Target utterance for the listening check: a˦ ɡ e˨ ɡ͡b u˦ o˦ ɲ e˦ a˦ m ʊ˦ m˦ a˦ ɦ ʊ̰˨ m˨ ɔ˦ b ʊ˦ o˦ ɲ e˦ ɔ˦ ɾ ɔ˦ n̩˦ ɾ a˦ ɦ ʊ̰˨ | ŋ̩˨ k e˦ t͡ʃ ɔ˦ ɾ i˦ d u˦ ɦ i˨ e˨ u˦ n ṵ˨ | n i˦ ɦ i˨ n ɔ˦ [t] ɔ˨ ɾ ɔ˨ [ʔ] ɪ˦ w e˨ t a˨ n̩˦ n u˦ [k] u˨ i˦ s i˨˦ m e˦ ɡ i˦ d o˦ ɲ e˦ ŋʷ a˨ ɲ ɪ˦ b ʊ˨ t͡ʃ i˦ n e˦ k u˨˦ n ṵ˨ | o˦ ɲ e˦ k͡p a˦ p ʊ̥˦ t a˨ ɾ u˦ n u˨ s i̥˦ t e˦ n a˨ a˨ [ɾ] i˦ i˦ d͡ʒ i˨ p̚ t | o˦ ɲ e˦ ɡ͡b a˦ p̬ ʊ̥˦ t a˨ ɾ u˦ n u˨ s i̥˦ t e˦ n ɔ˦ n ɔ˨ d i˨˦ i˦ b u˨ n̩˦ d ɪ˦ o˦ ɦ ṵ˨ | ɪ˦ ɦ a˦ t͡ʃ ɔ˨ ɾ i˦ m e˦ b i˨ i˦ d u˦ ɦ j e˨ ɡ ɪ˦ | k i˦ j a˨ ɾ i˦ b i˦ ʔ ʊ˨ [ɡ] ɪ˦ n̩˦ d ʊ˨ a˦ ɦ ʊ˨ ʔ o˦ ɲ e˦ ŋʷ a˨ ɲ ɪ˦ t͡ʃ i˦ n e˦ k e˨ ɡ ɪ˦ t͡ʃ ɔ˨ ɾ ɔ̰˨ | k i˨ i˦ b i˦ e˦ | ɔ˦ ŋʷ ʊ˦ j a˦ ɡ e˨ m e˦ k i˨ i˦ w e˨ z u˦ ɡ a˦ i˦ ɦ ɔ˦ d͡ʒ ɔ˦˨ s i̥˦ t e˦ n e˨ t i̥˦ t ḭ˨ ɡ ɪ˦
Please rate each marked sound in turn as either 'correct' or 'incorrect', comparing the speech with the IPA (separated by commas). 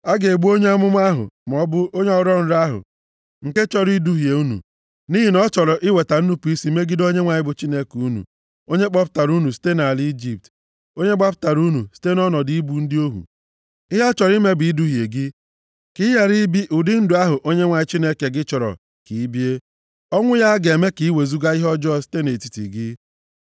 incorrect, correct, incorrect, incorrect, incorrect